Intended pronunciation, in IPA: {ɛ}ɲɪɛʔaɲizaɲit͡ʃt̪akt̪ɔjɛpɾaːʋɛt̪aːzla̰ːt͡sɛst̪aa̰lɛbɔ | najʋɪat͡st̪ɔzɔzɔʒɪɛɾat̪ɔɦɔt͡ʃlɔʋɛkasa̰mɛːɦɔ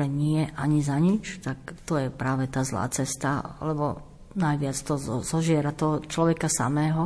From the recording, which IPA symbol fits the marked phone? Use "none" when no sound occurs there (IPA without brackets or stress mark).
ɛ